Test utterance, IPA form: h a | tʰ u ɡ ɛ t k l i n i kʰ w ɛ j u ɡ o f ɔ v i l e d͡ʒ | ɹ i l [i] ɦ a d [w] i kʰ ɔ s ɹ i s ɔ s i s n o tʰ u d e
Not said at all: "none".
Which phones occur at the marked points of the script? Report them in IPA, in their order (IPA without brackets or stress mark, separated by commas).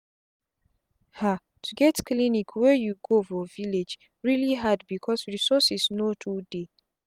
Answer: i, b